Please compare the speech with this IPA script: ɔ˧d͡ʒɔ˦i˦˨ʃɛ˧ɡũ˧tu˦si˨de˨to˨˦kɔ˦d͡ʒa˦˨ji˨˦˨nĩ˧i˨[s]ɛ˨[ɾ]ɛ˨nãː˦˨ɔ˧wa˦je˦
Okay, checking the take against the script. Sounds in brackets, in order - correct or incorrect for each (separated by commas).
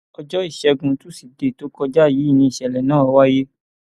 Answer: incorrect, incorrect